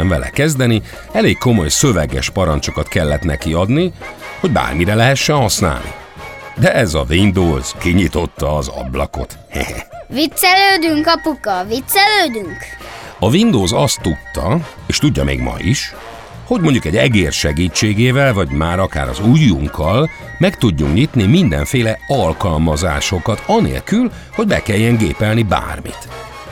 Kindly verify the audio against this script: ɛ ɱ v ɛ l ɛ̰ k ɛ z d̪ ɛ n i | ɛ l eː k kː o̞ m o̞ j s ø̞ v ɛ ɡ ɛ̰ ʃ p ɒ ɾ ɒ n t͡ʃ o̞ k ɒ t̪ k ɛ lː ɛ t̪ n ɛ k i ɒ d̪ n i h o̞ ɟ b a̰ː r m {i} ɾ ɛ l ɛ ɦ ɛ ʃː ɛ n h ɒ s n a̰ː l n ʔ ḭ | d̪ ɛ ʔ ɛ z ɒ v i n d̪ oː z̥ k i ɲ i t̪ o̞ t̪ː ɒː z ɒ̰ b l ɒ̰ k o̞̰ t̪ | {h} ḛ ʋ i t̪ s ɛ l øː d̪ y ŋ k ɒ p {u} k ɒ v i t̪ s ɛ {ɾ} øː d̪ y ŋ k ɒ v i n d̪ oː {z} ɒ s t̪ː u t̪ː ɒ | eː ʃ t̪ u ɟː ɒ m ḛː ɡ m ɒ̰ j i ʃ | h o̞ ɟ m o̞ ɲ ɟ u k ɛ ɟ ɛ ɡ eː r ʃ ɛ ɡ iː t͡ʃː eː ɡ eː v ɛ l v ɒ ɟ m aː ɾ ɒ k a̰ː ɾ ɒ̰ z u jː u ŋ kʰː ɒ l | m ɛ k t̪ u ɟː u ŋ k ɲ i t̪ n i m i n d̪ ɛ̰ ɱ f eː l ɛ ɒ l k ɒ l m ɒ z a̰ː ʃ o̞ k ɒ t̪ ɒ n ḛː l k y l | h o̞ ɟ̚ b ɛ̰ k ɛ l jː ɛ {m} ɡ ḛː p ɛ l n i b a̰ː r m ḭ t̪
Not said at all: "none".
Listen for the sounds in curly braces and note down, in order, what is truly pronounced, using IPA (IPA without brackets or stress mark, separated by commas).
i, h, u, l, z, ŋ